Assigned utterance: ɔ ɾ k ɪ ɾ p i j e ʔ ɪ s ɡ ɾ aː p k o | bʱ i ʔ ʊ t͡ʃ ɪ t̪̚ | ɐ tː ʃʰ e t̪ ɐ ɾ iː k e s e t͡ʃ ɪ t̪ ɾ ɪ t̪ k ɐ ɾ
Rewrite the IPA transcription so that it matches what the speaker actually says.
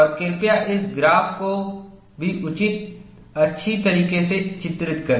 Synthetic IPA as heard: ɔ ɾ k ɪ ɾ p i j a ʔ ɪ s ɡ ɾ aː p k o | bʱ i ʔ ʊ t͡ʃ ɪ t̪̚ | ɐ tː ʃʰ i t̪ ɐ ɾ iː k e s e t͡ʃ ɪ t̪ ɾ ɪ t̪ k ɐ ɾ